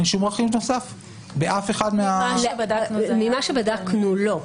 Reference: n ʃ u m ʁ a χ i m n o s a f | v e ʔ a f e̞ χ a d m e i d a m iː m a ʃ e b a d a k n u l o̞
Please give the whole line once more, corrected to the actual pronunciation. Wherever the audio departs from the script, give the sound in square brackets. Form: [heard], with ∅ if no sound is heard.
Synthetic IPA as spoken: n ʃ u m ʁ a χ i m n o s a f | [b] e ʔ a f e̞ χ a d m e [a] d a m [i] m a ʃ e b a d a k n u l o̞